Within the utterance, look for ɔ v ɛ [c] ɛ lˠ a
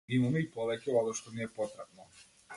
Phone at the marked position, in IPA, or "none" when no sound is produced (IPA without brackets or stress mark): c